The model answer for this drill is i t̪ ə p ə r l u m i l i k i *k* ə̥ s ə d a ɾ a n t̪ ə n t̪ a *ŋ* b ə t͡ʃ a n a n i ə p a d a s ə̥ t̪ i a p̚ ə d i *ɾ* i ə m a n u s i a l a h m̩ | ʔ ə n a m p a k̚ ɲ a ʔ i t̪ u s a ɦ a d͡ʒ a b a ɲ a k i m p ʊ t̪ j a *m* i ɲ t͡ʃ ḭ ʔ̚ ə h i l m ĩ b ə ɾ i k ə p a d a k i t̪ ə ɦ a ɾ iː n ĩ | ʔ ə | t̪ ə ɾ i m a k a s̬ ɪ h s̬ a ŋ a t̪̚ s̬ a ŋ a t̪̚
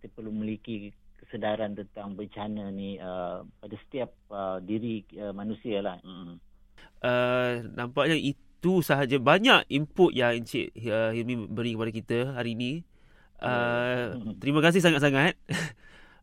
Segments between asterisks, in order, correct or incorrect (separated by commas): correct, correct, correct, incorrect